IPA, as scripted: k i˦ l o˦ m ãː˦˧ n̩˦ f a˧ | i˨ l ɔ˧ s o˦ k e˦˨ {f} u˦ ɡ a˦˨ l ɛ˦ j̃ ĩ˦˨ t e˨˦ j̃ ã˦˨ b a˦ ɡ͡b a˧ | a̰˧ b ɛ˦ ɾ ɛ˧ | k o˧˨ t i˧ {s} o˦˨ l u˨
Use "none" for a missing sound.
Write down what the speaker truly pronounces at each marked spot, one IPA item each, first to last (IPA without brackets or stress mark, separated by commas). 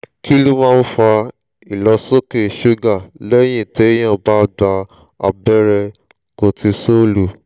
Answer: ʃ, s